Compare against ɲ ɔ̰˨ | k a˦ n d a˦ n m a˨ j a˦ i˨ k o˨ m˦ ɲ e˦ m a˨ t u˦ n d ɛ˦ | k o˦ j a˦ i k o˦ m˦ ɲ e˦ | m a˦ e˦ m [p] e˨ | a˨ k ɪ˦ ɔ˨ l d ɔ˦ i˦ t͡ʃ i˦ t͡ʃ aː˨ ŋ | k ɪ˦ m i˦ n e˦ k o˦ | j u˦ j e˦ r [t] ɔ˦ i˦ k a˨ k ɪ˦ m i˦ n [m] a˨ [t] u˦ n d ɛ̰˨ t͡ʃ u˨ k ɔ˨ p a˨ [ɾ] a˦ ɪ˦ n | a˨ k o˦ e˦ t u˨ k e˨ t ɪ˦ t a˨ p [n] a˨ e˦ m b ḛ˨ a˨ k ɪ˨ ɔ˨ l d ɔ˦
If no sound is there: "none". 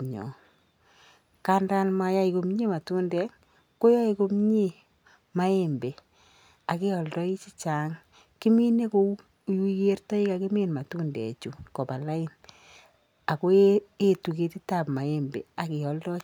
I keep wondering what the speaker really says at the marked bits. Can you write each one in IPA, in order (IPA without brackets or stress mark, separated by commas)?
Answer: b, t, m, t, l, m